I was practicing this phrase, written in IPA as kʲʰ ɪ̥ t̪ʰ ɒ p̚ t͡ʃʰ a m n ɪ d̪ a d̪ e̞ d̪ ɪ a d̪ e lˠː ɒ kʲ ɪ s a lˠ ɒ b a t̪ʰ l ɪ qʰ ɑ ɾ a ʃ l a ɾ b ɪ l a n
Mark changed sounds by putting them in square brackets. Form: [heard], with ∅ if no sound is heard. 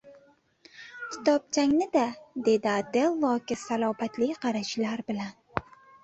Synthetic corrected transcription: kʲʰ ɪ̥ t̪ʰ ɒ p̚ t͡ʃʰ a [ŋ] n ɪ d̪ a d̪ e̞ d̪ ɪ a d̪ e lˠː ɒ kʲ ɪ s a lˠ ɒ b a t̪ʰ l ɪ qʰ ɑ ɾ a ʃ l a ɾ b ɪ l a n